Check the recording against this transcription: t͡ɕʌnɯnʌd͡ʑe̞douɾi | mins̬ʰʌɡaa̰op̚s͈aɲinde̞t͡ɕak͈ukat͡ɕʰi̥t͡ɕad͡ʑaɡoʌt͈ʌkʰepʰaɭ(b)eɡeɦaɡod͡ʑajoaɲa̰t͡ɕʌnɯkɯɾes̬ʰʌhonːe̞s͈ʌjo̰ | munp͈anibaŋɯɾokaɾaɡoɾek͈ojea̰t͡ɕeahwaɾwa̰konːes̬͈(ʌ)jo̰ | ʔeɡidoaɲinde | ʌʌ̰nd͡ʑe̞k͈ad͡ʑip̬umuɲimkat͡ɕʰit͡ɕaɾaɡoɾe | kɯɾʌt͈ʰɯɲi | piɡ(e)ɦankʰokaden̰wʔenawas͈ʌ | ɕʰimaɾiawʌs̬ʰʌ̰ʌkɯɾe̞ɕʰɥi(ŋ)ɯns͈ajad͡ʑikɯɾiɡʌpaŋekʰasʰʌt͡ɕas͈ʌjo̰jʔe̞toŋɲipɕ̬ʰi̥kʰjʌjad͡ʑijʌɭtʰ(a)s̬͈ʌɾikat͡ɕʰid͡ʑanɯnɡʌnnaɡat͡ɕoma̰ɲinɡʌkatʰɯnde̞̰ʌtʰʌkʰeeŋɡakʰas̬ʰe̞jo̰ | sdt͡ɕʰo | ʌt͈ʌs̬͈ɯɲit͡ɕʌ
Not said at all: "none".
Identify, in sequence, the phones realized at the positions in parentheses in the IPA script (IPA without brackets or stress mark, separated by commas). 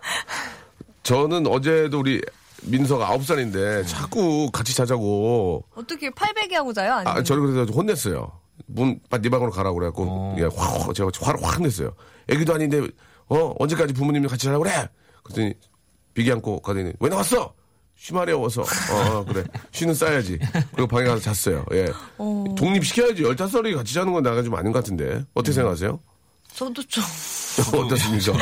b, ʌ, i, n, a